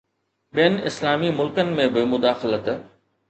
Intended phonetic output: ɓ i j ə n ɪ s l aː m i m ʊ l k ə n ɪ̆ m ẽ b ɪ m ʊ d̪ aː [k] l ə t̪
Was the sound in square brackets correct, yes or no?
no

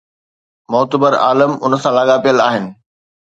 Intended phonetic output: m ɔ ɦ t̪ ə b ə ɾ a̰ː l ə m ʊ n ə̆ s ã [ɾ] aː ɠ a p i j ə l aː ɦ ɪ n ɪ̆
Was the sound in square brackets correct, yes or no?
no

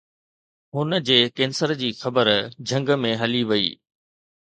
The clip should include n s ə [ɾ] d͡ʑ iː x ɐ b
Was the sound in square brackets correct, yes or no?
yes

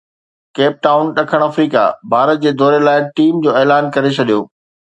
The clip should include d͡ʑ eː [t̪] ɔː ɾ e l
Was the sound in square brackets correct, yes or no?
no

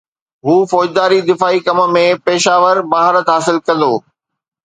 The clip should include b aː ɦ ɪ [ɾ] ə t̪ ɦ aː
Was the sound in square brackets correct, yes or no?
yes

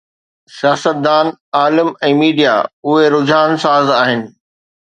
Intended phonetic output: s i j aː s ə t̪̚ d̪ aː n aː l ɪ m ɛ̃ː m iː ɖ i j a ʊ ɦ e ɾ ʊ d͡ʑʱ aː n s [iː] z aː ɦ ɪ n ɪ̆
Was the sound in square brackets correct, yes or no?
no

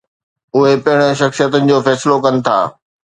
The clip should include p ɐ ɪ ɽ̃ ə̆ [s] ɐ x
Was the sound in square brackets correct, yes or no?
no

